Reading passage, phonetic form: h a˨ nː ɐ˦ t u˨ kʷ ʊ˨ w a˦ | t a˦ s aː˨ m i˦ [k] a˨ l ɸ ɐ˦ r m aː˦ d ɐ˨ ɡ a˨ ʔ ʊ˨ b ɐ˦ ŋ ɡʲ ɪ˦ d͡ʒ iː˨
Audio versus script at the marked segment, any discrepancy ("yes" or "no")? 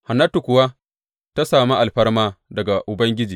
yes